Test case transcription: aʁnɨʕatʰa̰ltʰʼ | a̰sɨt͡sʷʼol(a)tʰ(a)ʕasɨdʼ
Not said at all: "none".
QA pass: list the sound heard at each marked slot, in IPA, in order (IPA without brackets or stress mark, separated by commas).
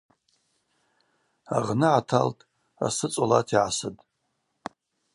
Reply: a, i